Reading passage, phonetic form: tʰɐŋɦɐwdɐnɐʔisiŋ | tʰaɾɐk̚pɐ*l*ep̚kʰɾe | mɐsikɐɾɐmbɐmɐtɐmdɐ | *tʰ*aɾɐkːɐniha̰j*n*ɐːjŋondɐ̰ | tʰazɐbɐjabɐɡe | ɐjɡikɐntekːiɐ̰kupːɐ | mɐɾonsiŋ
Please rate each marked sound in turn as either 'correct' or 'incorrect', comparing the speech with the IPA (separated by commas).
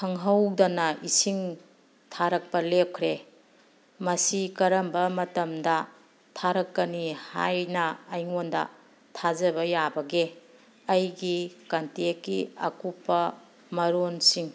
correct, correct, correct